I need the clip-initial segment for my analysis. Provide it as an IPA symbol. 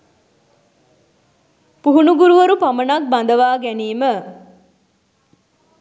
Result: p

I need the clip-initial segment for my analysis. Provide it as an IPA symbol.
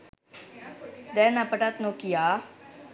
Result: d̪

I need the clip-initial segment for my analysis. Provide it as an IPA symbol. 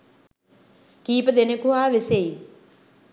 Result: k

